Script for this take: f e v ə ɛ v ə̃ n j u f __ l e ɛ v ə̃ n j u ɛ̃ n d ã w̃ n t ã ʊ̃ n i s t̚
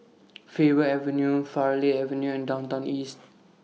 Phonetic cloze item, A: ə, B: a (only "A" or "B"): B